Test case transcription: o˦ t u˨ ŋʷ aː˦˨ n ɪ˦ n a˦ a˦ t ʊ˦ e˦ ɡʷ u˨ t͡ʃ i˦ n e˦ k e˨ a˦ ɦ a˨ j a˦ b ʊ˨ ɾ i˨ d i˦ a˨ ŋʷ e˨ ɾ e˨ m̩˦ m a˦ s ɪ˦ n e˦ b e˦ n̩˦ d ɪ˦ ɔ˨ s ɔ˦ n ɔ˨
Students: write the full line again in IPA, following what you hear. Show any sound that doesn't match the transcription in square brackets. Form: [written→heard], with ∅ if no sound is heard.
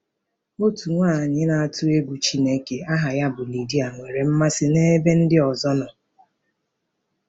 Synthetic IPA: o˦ t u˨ ŋʷ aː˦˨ [n→ɲ] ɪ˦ n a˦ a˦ t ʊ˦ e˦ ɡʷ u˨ t͡ʃ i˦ n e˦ k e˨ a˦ ɦ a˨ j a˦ b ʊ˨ [ɾ→l] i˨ d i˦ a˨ ŋʷ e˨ ɾ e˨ m̩˦ m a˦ s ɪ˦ n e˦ b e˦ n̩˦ d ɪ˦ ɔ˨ [s→z] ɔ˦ n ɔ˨